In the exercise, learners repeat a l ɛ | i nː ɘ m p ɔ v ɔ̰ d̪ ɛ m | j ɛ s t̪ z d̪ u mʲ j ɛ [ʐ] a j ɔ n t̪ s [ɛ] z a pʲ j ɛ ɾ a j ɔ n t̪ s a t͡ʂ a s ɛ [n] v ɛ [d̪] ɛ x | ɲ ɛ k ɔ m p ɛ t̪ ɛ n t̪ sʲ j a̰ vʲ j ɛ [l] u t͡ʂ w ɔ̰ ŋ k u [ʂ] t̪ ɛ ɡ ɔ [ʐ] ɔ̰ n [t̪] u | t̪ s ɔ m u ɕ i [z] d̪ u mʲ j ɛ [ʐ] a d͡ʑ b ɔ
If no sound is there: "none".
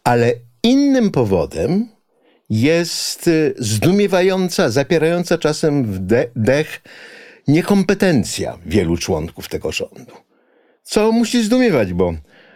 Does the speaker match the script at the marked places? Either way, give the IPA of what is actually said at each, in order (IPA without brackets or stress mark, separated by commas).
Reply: v, a, m, d̪, l, f, ʐ, d̪, z, v